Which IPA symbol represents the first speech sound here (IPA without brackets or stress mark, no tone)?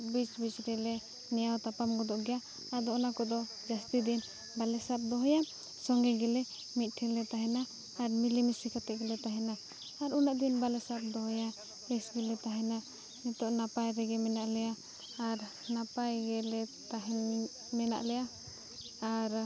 b